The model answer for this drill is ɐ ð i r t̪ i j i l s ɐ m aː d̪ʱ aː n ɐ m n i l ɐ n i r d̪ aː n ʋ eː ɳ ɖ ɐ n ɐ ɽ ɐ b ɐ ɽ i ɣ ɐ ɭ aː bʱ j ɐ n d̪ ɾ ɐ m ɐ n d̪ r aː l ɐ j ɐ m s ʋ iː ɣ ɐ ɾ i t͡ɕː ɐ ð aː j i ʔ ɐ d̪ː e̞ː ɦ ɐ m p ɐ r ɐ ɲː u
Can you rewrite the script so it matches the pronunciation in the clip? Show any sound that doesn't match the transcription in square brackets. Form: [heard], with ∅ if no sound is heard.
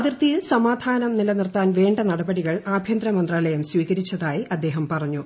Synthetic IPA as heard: ɐ ð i r t̪ i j i l s ɐ m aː d̪ʱ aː n ɐ m n i l ɐ n i r [t̪] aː n ʋ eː ɳ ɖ ɐ n ɐ ɽ ɐ b ɐ ɽ i ɣ ɐ ɭ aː bʱ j ɐ n d̪ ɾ ɐ m ɐ n d̪ r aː l ɐ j ɐ m s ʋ iː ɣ ɐ ɾ i t͡ɕː ɐ ð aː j i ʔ ɐ d̪ː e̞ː ɦ ɐ m p ɐ r ɐ ɲː u